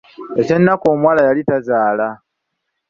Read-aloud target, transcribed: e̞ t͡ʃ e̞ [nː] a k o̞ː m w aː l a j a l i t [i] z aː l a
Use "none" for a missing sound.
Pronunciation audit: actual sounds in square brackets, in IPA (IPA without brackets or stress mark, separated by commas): nː, a